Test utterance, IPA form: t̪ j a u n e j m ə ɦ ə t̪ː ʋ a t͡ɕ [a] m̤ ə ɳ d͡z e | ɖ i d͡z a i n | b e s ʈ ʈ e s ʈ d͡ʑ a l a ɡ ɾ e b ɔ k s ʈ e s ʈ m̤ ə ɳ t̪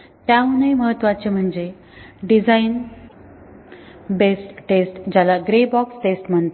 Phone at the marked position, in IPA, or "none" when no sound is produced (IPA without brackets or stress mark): e